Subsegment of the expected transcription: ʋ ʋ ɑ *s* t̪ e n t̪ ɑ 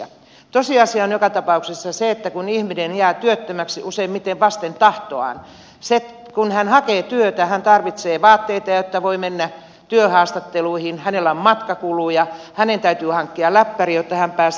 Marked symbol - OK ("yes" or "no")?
yes